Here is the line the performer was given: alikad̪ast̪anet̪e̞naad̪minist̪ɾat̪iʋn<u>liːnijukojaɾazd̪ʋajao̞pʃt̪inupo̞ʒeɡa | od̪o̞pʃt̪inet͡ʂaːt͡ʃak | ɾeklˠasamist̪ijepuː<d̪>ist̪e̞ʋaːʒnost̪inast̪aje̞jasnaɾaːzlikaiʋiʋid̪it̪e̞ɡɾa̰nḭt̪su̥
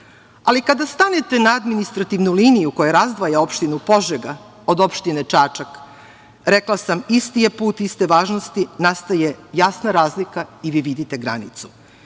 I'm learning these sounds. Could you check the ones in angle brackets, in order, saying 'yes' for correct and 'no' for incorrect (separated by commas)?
yes, no